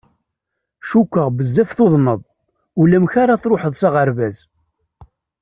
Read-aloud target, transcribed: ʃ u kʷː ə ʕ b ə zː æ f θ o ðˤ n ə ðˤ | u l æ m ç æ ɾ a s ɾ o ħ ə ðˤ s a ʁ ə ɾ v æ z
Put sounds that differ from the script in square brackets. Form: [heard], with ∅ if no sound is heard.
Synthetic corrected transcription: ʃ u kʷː ə [ʁ] b ə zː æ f θ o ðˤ n ə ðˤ | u l æ m ç [a] ɾ a [θ] ɾ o ħ ə ðˤ s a ʁ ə ɾ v æ z